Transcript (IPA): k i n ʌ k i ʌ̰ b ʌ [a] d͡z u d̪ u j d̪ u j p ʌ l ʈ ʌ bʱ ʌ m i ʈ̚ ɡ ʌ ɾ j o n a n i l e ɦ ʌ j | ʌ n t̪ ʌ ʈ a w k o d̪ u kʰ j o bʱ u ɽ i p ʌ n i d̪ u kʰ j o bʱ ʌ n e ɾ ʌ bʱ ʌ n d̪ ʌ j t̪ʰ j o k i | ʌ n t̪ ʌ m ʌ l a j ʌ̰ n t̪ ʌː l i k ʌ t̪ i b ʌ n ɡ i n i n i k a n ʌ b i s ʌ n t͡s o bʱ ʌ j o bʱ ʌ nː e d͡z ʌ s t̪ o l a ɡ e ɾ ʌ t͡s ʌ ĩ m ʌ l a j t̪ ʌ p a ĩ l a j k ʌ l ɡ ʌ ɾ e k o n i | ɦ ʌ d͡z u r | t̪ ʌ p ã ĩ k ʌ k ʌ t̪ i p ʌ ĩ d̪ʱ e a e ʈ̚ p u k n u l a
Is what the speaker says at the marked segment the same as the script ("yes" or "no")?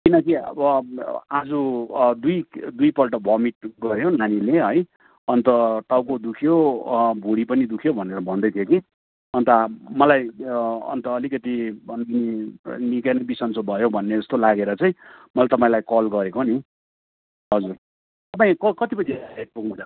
yes